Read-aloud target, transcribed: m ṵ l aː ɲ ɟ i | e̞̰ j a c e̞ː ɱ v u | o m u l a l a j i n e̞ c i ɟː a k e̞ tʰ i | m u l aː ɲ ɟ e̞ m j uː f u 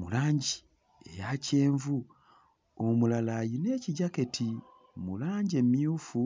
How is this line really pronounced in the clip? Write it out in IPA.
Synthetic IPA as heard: m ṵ l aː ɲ ɟ i | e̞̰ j a c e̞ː ɱ v u | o m u l a l a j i n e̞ c i ɟ a k e̞ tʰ i | m u l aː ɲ ɟ e̞ m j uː f u